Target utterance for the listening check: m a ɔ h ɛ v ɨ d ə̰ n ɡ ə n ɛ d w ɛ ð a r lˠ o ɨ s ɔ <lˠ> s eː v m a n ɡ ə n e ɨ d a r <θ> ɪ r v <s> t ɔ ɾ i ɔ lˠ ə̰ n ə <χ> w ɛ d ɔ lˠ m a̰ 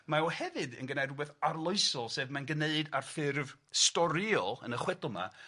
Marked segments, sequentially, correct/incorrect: correct, incorrect, correct, correct

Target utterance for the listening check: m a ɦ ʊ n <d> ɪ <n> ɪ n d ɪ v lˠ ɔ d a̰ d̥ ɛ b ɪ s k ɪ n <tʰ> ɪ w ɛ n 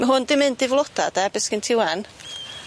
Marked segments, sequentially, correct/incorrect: correct, incorrect, correct

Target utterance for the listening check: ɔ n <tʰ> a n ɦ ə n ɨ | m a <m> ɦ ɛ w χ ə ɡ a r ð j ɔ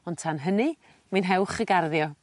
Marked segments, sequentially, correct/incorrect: correct, incorrect

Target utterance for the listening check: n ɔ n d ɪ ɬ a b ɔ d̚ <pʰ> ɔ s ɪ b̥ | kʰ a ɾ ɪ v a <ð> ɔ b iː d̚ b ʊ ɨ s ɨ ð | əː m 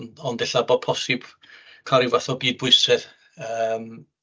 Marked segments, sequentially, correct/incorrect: correct, incorrect

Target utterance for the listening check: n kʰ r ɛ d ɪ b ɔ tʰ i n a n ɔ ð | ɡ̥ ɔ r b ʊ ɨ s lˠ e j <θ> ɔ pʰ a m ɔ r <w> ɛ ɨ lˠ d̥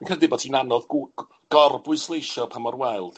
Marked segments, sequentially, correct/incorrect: incorrect, correct

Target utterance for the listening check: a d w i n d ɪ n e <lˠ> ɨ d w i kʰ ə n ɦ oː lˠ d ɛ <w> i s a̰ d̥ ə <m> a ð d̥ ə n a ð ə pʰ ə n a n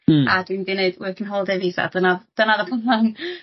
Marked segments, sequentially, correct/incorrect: incorrect, incorrect, incorrect

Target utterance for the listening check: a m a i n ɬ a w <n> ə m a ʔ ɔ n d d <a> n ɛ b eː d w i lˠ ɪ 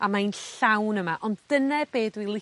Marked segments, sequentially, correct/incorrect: correct, incorrect

